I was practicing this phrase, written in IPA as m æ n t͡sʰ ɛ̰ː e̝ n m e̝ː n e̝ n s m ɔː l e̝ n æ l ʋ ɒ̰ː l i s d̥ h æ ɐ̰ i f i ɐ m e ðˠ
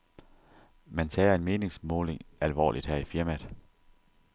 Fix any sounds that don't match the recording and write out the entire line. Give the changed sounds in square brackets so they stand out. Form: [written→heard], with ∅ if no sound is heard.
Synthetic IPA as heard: m æ n t͡sʰ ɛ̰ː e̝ n m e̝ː n e̝ [n→ŋ] s m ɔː l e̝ [n→ŋ] æ l ʋ ɒ̰ː l i [s→∅] d̥ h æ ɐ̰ i f i ɐ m [e→æ] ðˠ

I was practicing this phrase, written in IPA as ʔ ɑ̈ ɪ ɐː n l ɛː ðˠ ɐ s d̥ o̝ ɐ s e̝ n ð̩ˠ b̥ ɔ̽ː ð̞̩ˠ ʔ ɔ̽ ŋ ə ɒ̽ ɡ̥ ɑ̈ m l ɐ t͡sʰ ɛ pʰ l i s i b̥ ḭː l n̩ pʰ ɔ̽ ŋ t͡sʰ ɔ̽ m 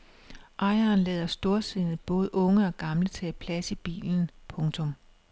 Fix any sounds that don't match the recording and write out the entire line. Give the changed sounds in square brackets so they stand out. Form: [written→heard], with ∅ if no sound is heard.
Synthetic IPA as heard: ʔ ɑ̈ ɪ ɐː n l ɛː ðˠ ɐ s d̥ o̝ ɐ s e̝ n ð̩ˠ b̥ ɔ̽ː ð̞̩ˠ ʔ ɔ̽ ŋ ə ɒ̽ ɡ̥ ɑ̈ m l [ɐ→ə] t͡sʰ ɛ pʰ l [i→æ] s i b̥ ḭː l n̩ pʰ ɔ̽ ŋ t͡sʰ ɔ̽ m

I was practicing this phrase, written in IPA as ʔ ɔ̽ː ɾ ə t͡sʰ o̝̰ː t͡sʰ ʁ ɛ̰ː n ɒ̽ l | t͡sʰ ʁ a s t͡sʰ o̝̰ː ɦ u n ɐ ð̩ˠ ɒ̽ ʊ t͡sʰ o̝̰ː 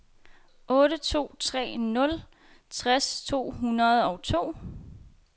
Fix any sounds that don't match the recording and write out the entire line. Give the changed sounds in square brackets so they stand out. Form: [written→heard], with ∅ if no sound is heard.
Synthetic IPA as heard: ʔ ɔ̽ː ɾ ə t͡sʰ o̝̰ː t͡sʰ ʁ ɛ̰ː n [ɒ̽→ɔ̽] l | t͡sʰ ʁ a s t͡sʰ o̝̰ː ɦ u n ɐ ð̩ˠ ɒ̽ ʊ t͡sʰ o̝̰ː

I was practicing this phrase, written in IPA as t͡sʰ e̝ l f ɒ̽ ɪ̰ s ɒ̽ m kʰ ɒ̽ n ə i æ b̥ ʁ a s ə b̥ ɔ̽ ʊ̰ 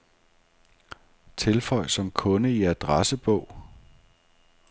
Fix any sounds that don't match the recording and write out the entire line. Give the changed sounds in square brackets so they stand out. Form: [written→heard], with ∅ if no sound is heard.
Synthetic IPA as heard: t͡sʰ e̝ l f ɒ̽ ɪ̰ s ɒ̽ m kʰ [ɒ̽→ɔ̽] n ə i æ [b̥→d̥] ʁ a s ə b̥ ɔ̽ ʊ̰

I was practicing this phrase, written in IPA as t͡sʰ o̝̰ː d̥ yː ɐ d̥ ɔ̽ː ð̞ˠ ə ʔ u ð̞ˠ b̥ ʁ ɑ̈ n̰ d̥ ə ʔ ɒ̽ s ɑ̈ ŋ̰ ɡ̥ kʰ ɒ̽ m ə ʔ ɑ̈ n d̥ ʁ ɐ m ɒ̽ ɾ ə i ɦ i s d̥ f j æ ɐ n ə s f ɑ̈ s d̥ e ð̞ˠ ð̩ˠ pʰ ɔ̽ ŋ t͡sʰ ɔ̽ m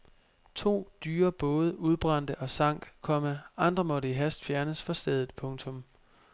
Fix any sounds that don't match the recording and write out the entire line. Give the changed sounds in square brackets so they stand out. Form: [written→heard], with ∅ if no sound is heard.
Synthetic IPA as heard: t͡sʰ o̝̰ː d̥ yː ɐ [d̥→b̥] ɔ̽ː ð̞ˠ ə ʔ u ð̞ˠ b̥ ʁ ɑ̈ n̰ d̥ ə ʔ ɒ̽ s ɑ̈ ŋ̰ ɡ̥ kʰ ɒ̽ m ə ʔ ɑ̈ n d̥ ʁ ɐ m ɒ̽ ɾ ə i ɦ [i→æ] s d̥ f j æ ɐ n ə s f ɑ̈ s d̥ e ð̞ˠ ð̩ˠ pʰ ɔ̽ ŋ t͡sʰ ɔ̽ m

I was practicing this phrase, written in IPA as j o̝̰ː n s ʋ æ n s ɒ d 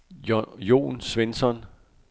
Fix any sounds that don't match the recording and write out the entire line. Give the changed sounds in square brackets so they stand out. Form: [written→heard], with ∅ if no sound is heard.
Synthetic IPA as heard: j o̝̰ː n s ʋ [æ→e] n s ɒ [d→n]

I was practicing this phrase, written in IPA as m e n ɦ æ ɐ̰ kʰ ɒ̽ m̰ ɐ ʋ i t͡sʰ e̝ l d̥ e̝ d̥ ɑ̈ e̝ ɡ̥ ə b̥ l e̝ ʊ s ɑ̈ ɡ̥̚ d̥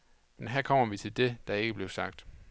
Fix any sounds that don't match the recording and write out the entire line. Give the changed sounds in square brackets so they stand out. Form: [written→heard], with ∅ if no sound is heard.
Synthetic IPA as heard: m e n ɦ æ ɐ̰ kʰ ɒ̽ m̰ ɐ ʋ i t͡sʰ e̝ l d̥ e̝ d̥ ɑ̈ e̝ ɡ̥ ə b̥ l e̝ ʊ s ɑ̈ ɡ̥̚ d̥

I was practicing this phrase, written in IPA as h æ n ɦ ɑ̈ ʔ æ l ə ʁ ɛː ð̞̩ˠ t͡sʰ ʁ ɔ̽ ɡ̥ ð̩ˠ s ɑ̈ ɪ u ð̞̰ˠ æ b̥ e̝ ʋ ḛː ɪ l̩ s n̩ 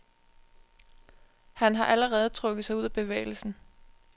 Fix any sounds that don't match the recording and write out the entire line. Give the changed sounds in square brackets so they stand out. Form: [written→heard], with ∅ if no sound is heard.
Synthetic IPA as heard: h æ n ɦ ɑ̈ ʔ æ l ə ʁ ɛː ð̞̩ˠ t͡sʰ ʁ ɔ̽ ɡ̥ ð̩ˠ s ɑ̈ ɪ u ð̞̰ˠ æ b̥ e̝ ʋ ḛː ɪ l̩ s n̩

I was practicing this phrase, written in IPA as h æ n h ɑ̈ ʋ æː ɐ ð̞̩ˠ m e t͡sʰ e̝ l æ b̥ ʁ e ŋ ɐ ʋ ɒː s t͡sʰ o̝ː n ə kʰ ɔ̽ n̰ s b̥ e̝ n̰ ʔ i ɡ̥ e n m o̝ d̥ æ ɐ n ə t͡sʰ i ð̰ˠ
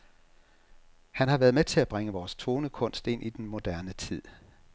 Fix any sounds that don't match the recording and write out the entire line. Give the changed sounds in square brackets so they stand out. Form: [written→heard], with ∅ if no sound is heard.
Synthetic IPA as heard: h æ n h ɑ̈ ʋ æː ɐ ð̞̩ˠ m e t͡sʰ e̝ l æ b̥ ʁ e ŋ [ɐ→ə] ʋ ɒː s t͡sʰ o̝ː n ə kʰ ɔ̽ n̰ s [b̥→d̥] e̝ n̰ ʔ i [ɡ̥→d̥] e n m o̝ d̥ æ ɐ n ə t͡sʰ i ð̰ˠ

